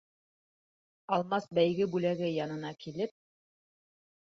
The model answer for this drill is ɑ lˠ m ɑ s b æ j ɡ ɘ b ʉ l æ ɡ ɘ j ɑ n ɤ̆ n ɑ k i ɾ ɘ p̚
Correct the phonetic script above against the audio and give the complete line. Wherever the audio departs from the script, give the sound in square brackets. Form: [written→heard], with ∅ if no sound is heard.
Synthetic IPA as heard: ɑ lˠ m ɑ s b æ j ɡ ɘ b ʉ l æ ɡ ɘ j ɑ n ɤ̆ n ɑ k i [ɾ→l] ɘ p̚